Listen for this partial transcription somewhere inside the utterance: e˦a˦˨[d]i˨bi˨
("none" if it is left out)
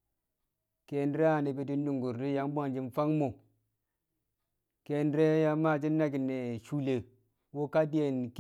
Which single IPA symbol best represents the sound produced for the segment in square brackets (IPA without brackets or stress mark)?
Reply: n